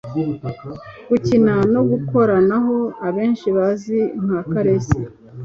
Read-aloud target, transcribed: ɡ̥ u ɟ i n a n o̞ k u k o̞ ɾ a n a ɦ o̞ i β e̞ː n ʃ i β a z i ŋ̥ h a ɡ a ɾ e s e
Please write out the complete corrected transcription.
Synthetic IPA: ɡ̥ u c i n a n o̞ ɡ u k o̞ ɾ a n a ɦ o̞ a β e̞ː n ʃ i β a z i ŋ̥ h a k a ɾ e s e